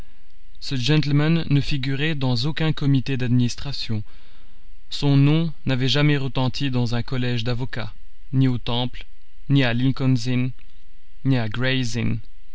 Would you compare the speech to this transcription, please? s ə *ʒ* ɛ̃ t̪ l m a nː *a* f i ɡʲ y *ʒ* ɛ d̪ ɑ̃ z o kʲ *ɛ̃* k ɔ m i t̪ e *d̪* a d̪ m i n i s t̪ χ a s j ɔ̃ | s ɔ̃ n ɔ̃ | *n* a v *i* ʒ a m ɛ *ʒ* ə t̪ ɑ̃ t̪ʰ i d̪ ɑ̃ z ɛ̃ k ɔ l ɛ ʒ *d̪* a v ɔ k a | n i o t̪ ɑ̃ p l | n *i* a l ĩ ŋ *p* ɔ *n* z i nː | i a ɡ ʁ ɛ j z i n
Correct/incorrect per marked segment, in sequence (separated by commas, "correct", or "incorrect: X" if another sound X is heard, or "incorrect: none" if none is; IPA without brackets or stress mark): correct, incorrect: ə, incorrect: ʁ, correct, correct, correct, incorrect: ɛ, incorrect: ʁ, correct, correct, incorrect: k, correct